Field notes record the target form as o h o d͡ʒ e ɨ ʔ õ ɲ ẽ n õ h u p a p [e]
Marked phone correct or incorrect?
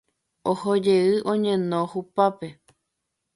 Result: correct